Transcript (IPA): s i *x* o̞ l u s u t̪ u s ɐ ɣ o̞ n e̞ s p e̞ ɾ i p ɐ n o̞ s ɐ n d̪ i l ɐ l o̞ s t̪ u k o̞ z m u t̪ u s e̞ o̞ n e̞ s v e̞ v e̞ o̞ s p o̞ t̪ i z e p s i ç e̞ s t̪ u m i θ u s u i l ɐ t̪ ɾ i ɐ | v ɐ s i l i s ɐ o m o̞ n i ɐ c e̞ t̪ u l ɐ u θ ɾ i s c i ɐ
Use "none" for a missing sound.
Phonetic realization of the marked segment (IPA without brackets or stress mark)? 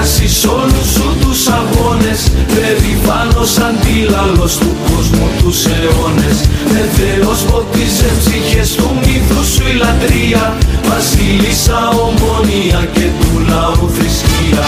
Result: s